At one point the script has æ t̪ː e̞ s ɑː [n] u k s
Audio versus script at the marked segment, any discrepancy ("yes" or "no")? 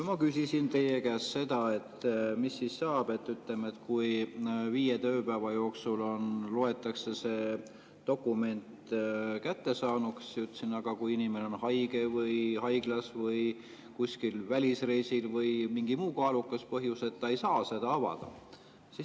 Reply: no